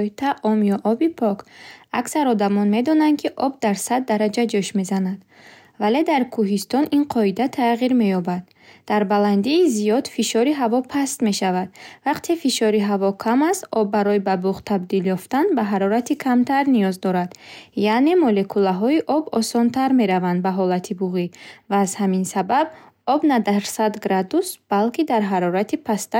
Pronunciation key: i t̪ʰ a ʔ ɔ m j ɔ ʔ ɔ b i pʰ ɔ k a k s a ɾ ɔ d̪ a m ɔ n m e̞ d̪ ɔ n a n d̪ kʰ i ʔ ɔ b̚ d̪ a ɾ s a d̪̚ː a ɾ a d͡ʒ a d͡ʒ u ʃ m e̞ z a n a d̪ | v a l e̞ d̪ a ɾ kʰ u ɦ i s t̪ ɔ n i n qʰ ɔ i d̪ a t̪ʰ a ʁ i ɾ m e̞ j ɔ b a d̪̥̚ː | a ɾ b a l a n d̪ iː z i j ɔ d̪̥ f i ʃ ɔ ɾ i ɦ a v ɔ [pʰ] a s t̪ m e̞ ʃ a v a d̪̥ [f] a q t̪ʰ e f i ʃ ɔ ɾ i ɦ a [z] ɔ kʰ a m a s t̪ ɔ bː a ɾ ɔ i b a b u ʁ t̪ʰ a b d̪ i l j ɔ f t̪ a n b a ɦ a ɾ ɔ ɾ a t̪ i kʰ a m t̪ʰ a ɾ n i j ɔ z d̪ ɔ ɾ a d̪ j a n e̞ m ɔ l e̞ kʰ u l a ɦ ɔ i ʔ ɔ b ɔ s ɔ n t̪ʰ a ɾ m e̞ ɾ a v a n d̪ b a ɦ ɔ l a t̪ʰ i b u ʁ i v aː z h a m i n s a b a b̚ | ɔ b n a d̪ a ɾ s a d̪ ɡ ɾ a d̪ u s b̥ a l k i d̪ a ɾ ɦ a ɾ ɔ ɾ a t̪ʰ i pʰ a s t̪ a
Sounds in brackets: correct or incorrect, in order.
correct, incorrect: v, incorrect: v

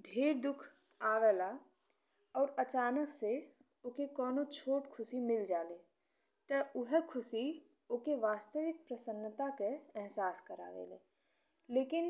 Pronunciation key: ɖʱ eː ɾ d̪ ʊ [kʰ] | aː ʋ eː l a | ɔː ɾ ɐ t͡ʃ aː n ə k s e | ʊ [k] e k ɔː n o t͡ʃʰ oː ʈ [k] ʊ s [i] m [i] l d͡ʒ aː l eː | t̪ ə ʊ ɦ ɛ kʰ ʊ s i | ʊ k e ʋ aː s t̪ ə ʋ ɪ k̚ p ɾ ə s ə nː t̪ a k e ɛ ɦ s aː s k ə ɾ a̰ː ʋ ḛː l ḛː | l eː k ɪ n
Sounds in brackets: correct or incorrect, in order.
correct, correct, incorrect: kʰ, correct, incorrect: ɪ

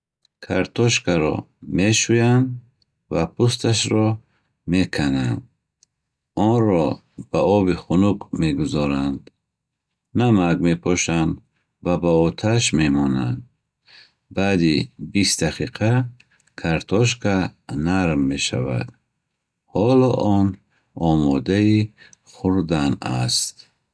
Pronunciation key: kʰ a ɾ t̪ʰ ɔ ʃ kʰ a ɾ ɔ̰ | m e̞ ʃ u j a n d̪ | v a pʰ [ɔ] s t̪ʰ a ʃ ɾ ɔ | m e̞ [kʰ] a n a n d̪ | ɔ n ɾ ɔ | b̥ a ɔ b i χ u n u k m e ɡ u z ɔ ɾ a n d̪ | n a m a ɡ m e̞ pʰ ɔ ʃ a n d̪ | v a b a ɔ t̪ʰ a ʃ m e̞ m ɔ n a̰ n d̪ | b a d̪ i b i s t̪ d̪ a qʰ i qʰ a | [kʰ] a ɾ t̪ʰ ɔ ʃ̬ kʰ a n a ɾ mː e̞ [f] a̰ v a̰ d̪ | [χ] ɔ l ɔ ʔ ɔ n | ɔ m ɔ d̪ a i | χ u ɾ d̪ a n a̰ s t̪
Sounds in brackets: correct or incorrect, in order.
incorrect: u, correct, correct, incorrect: ʃ, incorrect: h

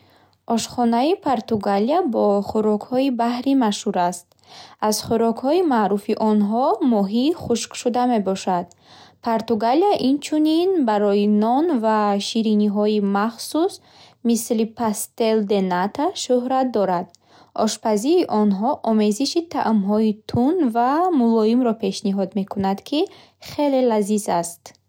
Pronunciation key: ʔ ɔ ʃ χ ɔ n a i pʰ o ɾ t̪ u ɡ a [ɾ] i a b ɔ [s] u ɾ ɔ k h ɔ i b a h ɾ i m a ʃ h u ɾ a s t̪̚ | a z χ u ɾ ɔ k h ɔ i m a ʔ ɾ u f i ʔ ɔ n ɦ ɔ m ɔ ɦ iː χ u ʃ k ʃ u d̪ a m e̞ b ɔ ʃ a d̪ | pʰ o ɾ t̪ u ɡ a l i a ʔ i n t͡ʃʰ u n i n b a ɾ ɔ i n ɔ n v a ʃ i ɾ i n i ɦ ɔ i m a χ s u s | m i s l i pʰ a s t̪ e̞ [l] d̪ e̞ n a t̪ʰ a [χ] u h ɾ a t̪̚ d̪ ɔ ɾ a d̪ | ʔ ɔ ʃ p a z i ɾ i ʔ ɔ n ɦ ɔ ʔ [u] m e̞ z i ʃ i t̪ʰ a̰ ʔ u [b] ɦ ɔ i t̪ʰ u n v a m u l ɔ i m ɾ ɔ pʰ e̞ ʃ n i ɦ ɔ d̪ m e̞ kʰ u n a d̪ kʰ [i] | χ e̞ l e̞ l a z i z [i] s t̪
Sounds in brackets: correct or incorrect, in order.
incorrect: l, incorrect: χ, correct, incorrect: ʃ, incorrect: ɔ, incorrect: m, correct, incorrect: a

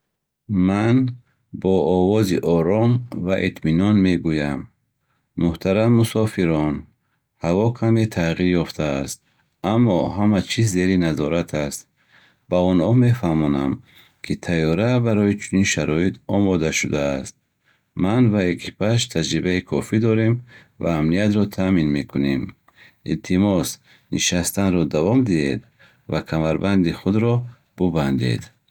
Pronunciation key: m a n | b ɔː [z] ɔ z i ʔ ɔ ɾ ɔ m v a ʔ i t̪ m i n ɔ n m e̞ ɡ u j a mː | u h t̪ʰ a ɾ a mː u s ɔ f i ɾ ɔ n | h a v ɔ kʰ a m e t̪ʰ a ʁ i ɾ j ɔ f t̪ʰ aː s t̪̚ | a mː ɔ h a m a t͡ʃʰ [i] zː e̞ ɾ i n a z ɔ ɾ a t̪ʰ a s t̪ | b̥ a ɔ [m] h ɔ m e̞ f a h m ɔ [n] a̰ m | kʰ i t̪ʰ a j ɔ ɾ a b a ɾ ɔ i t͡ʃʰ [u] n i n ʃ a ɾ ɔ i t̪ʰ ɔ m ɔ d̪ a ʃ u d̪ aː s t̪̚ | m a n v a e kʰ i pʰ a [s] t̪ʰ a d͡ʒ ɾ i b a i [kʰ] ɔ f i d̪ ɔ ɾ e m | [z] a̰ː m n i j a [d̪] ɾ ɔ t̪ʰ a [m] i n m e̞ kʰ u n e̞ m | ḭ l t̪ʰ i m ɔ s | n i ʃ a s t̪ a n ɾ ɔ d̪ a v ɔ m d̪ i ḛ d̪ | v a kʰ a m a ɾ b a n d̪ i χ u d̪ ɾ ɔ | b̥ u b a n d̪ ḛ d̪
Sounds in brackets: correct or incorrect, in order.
incorrect: v, correct, incorrect: n, correct, correct, incorrect: ʃ, correct, incorrect: v, incorrect: t̪, correct

